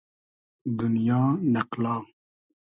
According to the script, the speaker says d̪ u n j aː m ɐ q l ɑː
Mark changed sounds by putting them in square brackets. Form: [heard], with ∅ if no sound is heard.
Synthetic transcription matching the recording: d̪ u n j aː [n] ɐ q l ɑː